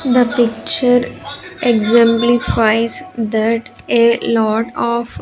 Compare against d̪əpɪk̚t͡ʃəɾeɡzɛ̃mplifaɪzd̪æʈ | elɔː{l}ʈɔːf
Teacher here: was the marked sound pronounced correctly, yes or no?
no